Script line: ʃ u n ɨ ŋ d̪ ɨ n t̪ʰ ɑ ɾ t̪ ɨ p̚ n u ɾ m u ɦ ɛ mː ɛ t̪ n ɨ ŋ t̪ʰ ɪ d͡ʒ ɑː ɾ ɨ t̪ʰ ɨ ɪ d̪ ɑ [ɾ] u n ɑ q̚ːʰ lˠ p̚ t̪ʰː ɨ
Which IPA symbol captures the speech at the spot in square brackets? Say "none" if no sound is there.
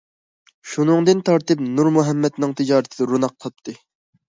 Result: ɾ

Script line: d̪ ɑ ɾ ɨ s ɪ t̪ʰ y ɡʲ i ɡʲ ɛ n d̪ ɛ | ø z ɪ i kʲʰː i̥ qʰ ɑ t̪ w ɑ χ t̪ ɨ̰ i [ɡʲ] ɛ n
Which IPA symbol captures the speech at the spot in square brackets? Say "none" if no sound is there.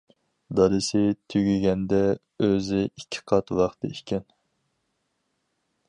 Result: kʲ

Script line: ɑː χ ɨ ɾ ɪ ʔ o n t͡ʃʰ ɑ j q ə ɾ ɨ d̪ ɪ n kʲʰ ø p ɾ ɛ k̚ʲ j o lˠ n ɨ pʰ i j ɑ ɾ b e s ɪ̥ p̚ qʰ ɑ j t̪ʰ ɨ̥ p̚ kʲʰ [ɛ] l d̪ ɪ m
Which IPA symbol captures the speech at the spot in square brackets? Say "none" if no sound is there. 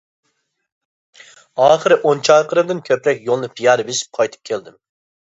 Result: e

